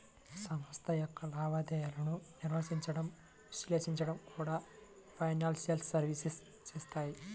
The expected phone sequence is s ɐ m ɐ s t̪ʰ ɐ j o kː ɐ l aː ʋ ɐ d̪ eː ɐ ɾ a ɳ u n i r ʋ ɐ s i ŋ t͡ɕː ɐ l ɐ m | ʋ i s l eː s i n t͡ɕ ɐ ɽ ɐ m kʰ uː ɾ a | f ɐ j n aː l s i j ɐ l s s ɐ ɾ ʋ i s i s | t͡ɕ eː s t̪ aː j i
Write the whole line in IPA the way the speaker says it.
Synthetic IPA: s ɐ m ɐ s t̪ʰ ɐ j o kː ɐ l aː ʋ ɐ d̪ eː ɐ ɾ ɐ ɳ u n i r ʋ ɐ s i ɲ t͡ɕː ɐ ɽ ɐ m | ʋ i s l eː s i ɲ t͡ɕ ɐ ɽ ɐ m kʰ uː ɽ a | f ɐ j n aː l s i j ɐ l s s ɐ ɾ ʋ i s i s | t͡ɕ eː s t̪ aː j i